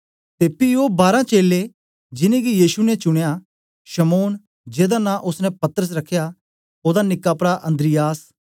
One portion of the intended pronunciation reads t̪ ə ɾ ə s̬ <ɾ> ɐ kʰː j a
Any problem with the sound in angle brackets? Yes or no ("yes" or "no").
no